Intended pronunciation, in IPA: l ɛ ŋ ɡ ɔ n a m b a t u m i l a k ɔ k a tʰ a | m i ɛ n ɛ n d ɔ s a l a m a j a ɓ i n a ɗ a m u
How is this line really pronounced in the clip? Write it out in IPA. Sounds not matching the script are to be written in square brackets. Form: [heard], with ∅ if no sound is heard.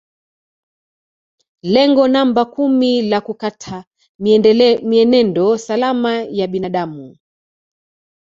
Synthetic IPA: l ɛ ŋ ɡ ɔ n a m b a [k] u m i l a k [u] k a tʰ a | m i ɛ n ɛ n d ɔ s a l a m a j a ɓ i n a ɗ a m u